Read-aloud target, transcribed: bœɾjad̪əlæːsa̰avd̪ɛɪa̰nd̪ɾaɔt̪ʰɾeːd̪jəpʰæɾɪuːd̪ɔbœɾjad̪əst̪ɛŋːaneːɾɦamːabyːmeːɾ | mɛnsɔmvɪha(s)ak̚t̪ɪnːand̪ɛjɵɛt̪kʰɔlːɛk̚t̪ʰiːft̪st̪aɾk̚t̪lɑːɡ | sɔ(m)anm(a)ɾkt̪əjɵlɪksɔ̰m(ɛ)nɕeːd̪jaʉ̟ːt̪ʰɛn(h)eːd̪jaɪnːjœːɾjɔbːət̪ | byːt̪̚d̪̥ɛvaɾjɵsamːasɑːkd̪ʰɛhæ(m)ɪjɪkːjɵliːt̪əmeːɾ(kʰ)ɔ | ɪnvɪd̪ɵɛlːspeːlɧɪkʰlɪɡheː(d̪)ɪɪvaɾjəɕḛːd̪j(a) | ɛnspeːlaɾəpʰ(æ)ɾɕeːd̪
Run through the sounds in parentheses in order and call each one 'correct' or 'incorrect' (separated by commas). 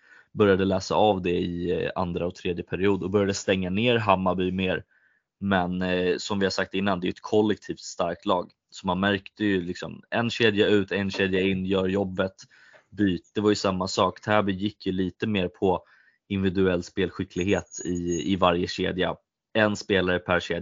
correct, correct, incorrect, correct, incorrect, incorrect, incorrect, incorrect, correct, correct